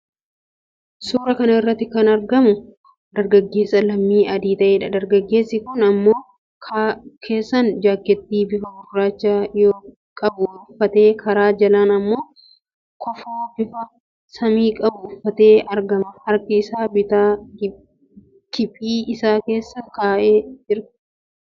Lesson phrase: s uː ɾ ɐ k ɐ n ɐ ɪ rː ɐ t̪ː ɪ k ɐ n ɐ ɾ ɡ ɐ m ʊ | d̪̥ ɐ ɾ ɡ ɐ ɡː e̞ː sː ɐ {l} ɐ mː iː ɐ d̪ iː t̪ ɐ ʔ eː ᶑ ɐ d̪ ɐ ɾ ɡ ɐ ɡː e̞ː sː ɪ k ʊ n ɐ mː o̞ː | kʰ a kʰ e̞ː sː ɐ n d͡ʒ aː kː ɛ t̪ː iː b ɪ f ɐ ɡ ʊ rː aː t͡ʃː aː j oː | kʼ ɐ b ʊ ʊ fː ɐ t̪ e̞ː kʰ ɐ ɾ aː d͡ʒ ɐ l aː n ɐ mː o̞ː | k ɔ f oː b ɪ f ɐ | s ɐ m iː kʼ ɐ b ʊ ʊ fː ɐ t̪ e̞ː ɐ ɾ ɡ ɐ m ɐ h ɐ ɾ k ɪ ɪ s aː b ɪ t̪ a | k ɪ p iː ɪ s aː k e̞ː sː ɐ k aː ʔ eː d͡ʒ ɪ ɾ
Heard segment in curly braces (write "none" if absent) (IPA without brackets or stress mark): l